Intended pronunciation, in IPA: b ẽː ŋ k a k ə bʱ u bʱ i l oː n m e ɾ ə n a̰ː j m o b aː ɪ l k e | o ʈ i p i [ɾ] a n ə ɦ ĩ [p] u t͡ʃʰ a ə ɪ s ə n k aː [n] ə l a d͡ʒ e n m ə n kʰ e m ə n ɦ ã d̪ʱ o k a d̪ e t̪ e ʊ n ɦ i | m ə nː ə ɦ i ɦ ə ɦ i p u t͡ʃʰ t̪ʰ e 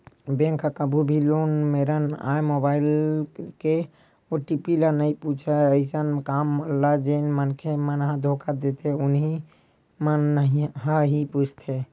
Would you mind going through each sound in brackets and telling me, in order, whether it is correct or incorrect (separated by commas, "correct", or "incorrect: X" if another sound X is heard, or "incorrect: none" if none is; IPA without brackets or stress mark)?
incorrect: l, correct, incorrect: m